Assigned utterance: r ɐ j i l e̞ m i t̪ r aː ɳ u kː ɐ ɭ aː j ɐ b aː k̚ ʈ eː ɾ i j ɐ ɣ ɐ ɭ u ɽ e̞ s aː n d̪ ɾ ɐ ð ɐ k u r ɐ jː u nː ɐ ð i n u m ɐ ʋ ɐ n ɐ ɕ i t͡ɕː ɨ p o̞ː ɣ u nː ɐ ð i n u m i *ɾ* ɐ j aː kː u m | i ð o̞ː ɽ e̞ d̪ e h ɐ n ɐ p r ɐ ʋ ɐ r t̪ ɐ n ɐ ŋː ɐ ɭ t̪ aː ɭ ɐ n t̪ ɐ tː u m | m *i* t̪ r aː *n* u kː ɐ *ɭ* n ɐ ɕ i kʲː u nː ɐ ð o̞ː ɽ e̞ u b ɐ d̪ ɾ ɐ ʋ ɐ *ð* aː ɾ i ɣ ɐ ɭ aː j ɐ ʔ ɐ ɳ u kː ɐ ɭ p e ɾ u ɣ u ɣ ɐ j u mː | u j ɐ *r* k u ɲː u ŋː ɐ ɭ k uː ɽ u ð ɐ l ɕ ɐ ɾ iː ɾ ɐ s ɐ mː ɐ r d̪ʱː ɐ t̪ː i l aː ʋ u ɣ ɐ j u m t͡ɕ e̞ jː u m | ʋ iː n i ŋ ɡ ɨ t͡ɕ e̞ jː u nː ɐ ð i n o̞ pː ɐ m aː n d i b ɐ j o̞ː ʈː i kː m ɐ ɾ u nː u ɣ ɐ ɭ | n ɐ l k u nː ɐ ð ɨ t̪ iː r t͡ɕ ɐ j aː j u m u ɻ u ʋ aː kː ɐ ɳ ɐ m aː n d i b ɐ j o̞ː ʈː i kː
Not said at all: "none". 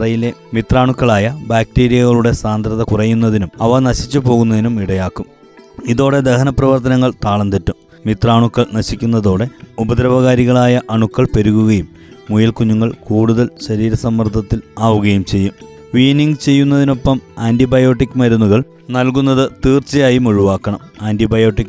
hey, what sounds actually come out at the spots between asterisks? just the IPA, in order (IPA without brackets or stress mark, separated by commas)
ɽ, i, ɳ, ɭ, ɣ, l